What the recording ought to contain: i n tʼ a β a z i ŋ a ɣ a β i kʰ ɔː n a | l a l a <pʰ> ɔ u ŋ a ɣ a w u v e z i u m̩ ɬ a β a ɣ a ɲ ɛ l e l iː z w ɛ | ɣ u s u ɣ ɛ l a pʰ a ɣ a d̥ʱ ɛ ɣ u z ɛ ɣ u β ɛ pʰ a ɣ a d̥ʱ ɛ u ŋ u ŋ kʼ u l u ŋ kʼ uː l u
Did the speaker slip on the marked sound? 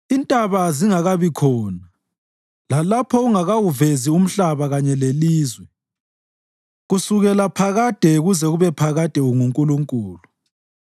no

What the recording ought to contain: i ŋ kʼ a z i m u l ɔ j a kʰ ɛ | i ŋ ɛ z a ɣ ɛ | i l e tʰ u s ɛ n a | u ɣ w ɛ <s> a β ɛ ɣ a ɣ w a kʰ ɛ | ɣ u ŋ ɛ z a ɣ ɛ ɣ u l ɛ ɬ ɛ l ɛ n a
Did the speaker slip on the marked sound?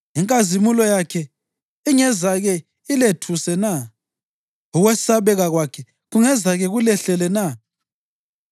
no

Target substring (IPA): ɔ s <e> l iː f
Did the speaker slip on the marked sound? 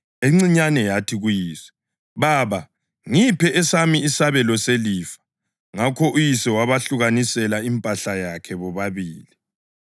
no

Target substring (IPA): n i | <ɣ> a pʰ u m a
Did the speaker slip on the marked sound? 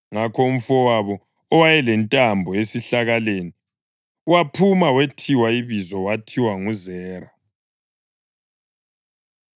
yes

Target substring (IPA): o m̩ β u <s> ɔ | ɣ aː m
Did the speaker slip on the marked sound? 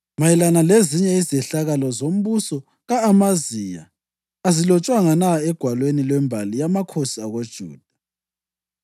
no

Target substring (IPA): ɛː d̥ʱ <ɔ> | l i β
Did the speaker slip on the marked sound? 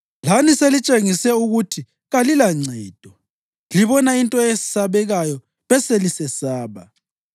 no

